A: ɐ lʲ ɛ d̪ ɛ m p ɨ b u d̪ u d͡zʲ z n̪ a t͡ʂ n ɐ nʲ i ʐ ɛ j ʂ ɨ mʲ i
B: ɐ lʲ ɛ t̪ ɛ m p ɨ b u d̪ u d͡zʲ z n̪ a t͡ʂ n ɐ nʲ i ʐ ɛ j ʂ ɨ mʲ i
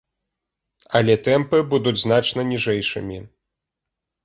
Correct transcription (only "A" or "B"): B